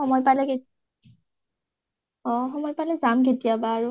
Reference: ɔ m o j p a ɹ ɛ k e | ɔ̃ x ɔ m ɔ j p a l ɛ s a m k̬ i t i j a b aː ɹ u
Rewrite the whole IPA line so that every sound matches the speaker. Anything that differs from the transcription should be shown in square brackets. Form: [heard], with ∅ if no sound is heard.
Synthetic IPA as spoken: ɔ m [ɔ] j p a [l] ɛ k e | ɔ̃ x ɔ m ɔ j p a l ɛ [z] a m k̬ [e] t i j a b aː ɹ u